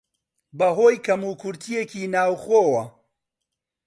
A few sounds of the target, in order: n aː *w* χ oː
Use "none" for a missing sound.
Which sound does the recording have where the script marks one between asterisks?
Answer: w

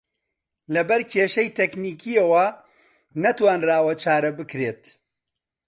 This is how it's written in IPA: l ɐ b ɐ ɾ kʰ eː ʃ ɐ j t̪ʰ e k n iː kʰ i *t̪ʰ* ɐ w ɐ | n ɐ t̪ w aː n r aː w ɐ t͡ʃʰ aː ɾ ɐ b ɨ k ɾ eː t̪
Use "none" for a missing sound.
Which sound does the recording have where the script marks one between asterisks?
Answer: none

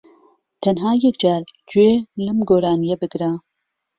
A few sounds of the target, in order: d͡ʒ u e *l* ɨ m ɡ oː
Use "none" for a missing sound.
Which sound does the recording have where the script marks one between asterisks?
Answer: l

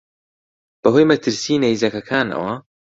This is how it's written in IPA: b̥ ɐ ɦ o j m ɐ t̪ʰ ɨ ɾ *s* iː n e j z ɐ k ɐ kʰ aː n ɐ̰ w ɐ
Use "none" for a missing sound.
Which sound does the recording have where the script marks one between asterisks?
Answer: s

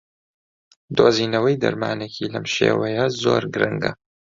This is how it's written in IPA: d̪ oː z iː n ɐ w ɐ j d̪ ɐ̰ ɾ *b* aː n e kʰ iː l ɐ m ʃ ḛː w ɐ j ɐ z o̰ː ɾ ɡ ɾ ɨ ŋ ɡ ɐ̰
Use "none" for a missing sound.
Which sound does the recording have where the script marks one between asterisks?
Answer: m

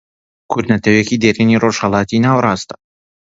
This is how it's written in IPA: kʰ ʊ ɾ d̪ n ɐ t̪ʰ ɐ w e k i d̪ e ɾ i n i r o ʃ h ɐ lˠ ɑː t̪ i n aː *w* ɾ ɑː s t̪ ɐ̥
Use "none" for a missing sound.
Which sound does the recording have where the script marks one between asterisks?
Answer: w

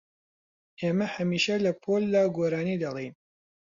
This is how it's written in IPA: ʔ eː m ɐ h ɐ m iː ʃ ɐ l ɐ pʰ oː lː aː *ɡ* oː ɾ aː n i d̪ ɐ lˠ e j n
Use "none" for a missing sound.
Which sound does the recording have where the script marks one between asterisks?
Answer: ɡ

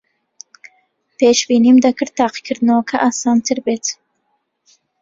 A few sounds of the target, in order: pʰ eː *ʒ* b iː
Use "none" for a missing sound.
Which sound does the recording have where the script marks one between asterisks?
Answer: ʃ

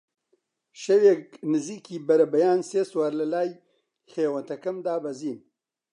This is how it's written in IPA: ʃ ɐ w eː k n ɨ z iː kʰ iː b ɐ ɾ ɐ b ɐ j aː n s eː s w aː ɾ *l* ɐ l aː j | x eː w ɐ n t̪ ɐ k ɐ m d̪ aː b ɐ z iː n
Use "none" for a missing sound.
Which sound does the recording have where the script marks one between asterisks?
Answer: l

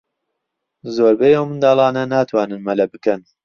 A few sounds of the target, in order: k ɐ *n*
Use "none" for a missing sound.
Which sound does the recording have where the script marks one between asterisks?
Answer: n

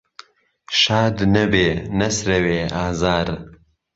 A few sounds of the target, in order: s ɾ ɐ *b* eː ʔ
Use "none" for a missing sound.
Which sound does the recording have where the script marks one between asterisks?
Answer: w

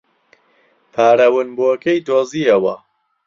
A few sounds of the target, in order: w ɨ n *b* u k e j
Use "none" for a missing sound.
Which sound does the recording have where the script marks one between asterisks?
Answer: b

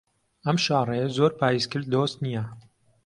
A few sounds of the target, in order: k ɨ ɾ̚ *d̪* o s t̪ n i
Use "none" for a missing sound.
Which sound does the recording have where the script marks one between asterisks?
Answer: d̪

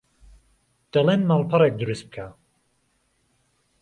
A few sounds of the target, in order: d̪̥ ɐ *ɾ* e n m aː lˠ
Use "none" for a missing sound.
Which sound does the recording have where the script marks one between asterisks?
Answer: l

